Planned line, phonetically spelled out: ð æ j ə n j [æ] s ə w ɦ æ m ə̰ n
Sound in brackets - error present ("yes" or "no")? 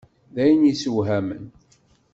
yes